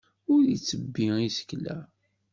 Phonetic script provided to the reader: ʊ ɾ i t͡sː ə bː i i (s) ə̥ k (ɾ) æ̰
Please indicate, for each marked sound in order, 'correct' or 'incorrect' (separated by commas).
correct, incorrect